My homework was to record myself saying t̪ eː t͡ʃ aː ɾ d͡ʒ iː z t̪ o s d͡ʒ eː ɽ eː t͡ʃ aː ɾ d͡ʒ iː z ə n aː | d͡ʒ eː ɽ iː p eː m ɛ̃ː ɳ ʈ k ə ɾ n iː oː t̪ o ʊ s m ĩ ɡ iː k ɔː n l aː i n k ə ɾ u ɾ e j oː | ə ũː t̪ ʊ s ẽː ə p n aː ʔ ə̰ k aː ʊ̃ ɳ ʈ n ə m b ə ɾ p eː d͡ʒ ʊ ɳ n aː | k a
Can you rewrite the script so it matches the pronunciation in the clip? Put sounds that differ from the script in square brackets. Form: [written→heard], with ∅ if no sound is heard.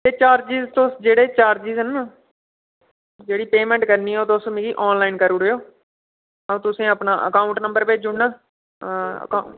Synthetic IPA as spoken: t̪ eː t͡ʃ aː ɾ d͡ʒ iː z t̪ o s d͡ʒ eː ɽ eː t͡ʃ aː ɾ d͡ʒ iː z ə n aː | d͡ʒ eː ɽ iː p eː m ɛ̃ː ɳ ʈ k ə ɾ n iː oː t̪ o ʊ s m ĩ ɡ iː [k→ʔ] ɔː n l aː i n k ə ɾ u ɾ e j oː | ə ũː t̪ ʊ s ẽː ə p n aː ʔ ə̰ k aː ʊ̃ ɳ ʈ n ə m b ə ɾ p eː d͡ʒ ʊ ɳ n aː | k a